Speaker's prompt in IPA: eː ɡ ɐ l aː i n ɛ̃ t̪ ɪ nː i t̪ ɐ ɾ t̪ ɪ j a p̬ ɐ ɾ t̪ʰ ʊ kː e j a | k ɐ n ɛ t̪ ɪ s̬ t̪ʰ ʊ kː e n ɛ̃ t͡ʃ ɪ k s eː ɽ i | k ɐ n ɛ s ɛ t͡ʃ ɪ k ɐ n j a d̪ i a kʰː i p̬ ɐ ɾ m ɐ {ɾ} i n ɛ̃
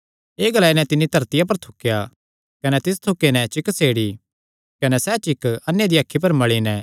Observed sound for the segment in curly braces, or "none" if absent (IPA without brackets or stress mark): ɭ